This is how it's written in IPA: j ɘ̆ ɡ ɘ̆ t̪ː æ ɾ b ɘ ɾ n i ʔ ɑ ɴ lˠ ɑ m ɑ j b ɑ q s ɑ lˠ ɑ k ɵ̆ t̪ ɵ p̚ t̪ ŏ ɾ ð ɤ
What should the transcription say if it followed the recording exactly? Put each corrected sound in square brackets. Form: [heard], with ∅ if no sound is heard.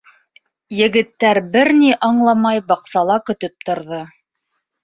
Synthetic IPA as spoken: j ɘ̆ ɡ ɘ̆ t̪ː æ ɾ b ɘ ɾ n i ʔ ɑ ɴ lˠ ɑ m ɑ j b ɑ q s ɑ lˠ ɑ k ɵ̆ t̪ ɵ p̚ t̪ ŏ ɾ ð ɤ